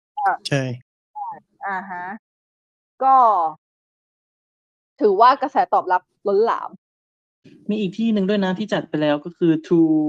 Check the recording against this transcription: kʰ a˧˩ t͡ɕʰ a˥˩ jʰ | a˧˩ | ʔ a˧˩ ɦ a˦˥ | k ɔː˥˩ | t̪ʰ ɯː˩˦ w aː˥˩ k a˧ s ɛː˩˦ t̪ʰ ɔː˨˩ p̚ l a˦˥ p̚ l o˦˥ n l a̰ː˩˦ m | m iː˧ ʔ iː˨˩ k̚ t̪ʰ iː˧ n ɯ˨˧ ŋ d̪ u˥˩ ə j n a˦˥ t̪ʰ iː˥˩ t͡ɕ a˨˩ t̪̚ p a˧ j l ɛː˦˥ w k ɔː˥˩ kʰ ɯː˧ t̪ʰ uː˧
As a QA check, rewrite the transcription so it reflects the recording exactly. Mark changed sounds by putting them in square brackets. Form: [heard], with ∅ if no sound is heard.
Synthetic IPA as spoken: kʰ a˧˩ t͡ɕʰ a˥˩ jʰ | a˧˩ | ʔ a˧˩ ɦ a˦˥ | k ɔː˥˩ | t̪ʰ ɯː˩˦ w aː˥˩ k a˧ s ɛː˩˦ [t̪] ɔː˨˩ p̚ l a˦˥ p̚ l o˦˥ n l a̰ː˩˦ m | m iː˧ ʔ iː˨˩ k̚ t̪ʰ [iː˥˩] n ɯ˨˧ ŋ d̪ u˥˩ ə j n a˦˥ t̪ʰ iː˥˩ t͡ɕ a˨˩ t̪̚ p a˧ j l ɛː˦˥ w k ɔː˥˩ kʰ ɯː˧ t̪ʰ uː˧